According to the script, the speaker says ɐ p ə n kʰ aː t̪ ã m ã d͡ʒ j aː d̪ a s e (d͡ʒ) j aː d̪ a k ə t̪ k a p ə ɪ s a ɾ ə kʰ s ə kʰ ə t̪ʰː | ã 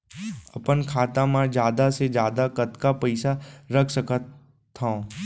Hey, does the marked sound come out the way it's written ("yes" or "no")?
yes